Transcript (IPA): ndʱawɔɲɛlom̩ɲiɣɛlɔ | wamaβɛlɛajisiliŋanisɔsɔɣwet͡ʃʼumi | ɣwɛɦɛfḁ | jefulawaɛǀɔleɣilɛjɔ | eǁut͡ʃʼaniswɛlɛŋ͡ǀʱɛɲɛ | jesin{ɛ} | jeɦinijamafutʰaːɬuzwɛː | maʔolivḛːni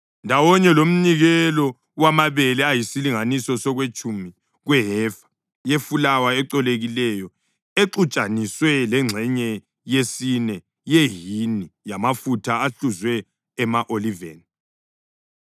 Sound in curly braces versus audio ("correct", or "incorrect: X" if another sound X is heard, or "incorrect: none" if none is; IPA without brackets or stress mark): correct